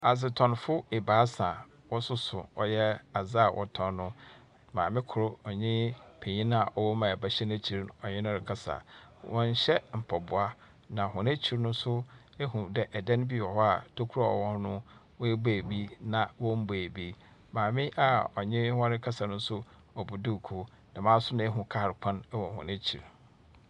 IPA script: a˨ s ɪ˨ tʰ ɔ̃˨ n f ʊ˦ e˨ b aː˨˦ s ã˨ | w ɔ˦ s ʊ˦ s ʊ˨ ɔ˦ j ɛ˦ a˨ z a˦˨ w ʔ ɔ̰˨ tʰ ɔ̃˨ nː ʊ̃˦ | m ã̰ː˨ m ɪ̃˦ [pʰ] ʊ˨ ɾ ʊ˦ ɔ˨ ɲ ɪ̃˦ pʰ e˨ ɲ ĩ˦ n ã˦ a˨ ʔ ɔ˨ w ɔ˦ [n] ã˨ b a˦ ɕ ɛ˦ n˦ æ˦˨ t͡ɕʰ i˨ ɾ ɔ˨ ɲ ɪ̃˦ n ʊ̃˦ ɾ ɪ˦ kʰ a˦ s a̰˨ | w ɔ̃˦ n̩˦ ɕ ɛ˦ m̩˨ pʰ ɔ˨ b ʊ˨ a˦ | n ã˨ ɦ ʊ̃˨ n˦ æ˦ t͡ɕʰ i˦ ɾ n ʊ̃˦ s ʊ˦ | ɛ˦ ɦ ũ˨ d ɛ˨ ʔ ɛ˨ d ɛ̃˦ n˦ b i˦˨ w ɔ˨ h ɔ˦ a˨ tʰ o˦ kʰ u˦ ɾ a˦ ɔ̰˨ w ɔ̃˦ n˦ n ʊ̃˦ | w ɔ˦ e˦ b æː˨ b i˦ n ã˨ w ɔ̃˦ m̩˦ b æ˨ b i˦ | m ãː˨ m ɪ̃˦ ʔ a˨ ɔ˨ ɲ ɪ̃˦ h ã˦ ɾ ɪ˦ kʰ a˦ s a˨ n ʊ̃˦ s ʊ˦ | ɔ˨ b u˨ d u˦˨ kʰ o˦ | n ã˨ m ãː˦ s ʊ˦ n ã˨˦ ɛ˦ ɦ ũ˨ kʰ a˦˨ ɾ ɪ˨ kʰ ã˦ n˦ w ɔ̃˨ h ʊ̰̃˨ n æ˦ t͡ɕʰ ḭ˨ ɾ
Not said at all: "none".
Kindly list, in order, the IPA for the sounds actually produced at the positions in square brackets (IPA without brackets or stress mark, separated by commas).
kʰ, m